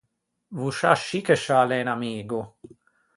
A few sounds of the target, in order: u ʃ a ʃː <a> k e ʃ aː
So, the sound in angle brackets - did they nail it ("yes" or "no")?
no